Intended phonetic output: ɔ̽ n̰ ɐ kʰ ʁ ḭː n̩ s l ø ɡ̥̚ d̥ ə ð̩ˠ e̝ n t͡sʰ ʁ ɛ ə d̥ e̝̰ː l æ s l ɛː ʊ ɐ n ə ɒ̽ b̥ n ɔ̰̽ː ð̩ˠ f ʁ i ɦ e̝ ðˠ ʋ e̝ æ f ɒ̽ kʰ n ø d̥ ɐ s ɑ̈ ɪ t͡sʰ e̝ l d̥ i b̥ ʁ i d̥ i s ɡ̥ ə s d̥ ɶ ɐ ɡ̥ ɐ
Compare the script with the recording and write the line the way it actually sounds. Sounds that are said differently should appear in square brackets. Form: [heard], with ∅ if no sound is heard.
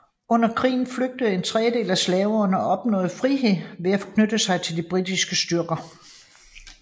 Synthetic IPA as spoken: ɔ̽ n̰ ɐ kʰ ʁ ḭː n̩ [f] l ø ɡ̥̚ d̥ ə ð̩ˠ e̝ n t͡sʰ ʁ ɛ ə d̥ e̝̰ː l æ s l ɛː ʊ ɐ n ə ɒ̽ b̥ n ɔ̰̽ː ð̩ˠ f ʁ i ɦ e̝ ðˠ ʋ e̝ æ f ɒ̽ kʰ n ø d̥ [ə] s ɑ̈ ɪ t͡sʰ e̝ l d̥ i b̥ ʁ i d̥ i s ɡ̥ ə s d̥ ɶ ɐ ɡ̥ ɐ